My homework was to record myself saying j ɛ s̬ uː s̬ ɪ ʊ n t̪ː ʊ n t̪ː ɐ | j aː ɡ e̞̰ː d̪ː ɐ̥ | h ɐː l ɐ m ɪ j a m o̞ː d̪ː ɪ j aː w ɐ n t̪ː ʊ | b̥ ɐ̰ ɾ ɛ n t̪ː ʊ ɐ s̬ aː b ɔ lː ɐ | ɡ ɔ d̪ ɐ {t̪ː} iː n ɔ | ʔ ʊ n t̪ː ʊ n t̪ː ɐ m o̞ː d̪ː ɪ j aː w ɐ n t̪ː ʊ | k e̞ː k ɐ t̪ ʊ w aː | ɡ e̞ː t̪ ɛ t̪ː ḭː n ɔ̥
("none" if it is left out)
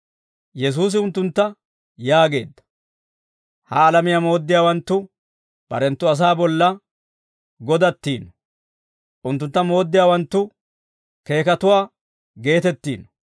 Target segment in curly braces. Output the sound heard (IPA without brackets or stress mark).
t̪ː